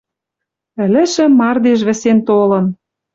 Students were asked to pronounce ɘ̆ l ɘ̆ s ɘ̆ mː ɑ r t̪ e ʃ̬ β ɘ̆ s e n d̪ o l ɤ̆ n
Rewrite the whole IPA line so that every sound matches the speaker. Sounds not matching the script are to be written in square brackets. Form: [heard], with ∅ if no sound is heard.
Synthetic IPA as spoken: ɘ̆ l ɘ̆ [ʃ] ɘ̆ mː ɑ r [d̪] e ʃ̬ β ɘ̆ s e n [t̪] o l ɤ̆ n